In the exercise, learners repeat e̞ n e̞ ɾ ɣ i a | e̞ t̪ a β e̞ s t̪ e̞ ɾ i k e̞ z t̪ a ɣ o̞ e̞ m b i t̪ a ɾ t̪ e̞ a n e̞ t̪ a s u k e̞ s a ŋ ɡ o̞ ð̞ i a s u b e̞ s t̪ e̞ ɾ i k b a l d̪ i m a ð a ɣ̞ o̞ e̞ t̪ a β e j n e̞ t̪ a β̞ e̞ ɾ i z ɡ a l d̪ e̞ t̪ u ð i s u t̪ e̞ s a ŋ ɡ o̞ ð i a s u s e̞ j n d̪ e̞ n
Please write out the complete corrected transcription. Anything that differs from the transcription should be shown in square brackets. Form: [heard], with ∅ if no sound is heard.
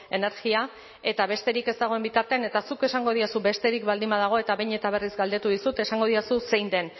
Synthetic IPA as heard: e̞ n e̞ ɾ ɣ i a | e̞ t̪ a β e̞ s t̪ e̞ ɾ i k e̞ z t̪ a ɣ o̞ e̞ m b i t̪ a ɾ t̪ e̞ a n e̞ t̪ a s u k e̞ s a ŋ ɡ o̞ ð̞ i a s u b e̞ s t̪ e̞ ɾ i k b a l d̪ i m a ð a ɣ̞ o̞ e̞ t̪ a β e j [ɲ] e̞ t̪ a β̞ e̞ [r] i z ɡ a l d̪ e̞ t̪ u ð i s u t̪ e̞ s a ŋ ɡ o̞ ð i a s u s e̞ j n d̪ e̞ n